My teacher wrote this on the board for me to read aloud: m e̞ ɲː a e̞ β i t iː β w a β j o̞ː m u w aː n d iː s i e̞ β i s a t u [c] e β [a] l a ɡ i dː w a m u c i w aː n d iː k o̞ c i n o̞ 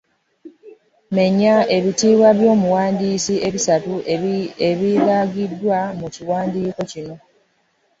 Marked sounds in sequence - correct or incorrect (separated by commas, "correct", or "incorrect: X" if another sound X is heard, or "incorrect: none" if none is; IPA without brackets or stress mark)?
incorrect: none, incorrect: i